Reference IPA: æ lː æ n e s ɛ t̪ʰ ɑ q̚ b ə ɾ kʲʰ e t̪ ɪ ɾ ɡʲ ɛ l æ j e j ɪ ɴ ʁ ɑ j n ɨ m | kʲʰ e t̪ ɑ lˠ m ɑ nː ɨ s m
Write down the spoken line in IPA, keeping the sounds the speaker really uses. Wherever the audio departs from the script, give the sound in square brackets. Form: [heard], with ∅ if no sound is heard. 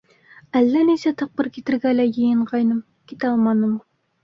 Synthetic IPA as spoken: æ lː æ n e s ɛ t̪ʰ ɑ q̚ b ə ɾ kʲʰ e t̪ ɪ ɾ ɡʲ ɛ l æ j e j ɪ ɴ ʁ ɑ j n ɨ m | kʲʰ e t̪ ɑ lˠ m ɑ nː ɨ [∅] m